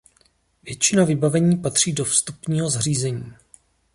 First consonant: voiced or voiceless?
voiced